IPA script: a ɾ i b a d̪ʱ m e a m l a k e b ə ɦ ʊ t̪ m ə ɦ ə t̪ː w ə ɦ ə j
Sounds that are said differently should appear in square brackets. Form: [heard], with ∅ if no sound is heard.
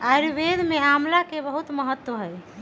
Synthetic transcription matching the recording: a ɾ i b [e] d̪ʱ m e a m l a k e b ə ɦ [u] t̪ m ə ɦ ə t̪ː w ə ɦ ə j